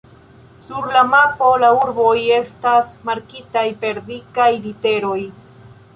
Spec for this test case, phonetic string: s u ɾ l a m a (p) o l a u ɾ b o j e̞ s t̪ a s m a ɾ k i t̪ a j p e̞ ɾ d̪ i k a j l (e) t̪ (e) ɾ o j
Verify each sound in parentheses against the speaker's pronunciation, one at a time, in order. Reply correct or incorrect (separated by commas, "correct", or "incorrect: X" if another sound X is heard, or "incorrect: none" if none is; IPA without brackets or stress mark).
correct, incorrect: i, correct